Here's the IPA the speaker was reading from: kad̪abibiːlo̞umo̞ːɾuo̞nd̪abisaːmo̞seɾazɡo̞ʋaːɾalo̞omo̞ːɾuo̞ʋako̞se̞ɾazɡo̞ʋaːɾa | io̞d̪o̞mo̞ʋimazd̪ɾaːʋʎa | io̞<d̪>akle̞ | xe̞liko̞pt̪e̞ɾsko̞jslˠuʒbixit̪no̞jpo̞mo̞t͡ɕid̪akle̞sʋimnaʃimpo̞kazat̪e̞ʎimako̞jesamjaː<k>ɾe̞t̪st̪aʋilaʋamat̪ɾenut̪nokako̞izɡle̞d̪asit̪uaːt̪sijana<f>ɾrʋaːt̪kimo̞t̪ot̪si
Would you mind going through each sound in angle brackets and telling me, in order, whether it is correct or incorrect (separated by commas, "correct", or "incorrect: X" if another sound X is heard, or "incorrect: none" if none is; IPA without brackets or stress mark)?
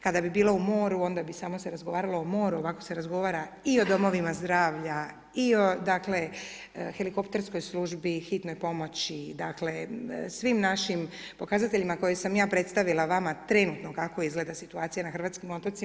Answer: correct, incorrect: p, incorrect: x